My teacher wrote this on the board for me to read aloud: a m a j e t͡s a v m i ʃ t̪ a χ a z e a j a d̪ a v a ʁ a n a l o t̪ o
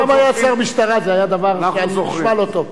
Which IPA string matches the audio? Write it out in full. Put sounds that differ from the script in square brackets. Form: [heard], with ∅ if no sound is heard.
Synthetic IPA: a m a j [a] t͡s a [ʁ] m i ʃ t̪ a [ʁ] a z e a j a d̪ a v a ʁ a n a l o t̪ o